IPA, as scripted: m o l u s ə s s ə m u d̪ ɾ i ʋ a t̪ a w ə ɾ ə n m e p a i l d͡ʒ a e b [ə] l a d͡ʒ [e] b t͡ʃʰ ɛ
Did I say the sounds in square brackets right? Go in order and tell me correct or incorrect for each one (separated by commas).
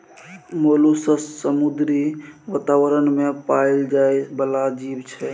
correct, incorrect